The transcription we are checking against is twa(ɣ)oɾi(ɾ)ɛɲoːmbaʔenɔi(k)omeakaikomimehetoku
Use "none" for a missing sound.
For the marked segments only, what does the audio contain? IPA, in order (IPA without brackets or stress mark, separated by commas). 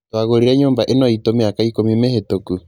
ɣ, ɾ, t